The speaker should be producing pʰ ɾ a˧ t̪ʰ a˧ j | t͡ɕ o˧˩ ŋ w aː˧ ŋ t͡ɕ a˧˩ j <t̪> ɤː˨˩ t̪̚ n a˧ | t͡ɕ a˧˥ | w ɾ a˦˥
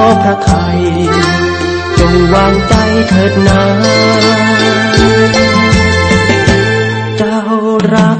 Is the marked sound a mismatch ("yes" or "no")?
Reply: yes